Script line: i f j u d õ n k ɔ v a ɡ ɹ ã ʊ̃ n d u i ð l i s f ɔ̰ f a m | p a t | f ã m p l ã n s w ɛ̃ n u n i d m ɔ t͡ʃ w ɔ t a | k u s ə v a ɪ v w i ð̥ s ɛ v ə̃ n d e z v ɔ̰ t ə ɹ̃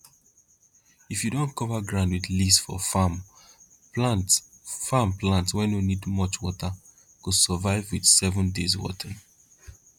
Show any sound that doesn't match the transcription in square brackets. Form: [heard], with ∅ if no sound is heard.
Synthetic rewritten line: i f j u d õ n k ɔ v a ɡ ɹ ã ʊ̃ n d [w] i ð l i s f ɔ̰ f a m | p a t | f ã m p l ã n [t] w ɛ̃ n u n i d m ɔ t͡ʃ w ɔ t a | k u s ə v a ɪ v w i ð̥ s ɛ v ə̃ n d e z [w] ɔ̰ t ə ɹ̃